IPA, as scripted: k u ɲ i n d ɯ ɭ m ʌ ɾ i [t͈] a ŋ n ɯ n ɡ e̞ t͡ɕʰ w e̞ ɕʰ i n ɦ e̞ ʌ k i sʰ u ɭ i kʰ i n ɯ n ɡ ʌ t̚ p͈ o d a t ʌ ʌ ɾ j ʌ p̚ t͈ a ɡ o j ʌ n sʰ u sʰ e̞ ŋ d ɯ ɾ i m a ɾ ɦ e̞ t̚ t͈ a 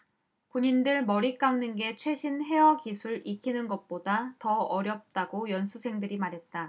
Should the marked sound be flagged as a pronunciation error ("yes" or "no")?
yes